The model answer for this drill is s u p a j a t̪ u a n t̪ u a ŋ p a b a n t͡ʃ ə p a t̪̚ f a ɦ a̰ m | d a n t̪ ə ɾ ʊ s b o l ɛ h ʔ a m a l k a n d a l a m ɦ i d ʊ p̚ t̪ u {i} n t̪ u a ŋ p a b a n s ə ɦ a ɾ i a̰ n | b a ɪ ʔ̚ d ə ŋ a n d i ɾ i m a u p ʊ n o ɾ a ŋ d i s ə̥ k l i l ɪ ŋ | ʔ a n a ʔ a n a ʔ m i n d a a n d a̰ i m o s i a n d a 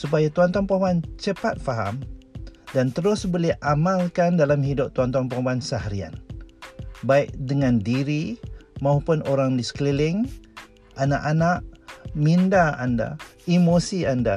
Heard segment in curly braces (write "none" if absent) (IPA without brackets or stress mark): a